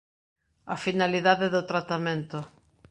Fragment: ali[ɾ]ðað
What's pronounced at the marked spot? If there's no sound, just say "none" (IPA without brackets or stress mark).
none